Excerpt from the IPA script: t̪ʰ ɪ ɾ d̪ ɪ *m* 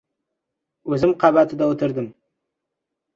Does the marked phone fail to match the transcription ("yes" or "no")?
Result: no